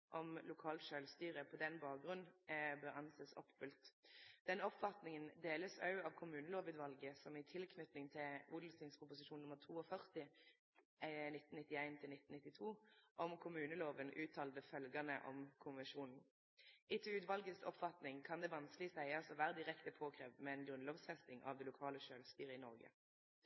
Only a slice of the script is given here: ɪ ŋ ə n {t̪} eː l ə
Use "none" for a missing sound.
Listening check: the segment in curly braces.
d̪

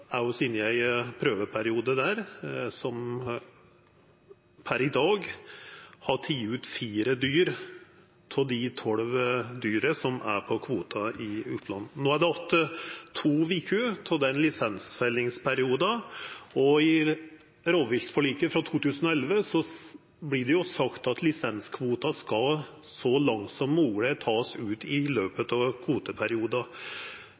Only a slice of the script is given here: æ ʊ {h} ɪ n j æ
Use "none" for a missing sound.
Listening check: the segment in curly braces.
s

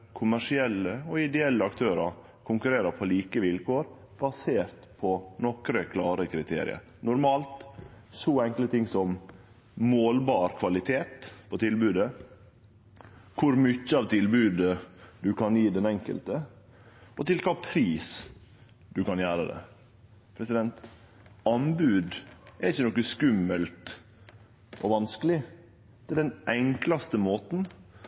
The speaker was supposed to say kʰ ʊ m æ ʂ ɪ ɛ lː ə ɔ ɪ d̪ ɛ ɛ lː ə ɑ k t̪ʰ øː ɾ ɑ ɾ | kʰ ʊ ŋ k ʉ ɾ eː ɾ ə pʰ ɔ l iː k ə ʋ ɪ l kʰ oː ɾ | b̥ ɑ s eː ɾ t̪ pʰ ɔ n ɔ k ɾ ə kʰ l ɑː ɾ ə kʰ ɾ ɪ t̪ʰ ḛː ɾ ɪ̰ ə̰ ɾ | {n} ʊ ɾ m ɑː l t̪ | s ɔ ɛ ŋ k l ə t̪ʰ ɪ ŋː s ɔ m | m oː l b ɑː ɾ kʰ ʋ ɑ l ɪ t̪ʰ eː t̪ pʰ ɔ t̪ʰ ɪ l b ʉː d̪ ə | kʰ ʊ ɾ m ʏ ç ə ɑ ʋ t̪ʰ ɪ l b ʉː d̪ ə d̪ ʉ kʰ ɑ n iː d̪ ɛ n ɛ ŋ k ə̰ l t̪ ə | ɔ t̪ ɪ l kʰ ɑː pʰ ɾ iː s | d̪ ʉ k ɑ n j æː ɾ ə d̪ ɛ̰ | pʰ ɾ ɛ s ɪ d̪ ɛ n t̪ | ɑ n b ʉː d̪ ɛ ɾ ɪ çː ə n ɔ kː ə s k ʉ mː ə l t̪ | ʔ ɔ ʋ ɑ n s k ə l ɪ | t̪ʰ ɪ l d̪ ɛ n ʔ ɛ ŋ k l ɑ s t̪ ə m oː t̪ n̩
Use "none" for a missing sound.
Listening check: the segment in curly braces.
n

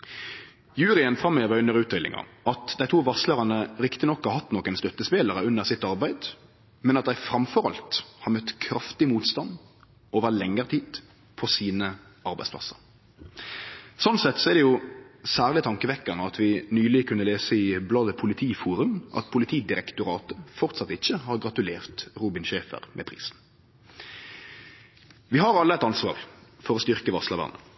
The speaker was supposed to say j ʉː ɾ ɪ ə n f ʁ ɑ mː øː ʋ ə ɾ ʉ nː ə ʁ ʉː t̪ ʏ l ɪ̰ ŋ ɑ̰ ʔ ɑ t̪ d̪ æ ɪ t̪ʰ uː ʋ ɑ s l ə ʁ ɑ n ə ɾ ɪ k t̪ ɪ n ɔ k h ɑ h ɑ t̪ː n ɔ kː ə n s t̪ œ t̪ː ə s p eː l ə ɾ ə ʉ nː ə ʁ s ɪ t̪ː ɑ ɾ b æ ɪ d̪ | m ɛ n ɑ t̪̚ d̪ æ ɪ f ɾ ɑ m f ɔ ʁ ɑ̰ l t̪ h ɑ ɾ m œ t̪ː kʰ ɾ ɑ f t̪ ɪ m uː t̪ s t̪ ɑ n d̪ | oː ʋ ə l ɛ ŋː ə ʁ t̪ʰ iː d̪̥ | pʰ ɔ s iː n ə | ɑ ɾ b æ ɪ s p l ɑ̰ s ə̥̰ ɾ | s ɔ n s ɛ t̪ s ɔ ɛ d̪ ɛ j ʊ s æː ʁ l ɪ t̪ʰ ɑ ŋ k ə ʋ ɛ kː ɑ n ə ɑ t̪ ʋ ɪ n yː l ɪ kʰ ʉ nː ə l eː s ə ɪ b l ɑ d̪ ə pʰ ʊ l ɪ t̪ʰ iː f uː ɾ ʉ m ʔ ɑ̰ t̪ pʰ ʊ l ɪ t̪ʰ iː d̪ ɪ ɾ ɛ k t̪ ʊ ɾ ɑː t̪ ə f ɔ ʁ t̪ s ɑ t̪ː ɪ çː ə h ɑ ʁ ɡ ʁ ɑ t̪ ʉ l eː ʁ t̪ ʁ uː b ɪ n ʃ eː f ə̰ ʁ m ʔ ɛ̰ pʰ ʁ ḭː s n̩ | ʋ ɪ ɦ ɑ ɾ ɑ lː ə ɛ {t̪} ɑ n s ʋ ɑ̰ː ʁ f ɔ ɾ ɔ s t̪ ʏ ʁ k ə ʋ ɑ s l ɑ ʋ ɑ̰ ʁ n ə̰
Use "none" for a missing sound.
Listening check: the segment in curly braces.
t̪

